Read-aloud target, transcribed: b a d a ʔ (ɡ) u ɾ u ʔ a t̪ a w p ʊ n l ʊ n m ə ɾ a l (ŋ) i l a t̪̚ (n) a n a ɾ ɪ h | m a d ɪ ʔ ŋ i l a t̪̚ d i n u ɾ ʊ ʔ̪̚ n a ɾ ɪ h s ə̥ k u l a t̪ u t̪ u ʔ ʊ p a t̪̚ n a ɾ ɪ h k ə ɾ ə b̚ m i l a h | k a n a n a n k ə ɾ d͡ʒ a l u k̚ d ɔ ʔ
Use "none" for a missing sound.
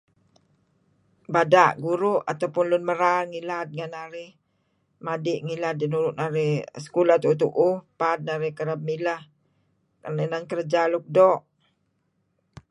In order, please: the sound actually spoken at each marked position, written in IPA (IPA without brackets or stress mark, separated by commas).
ɡ, ŋ, ŋ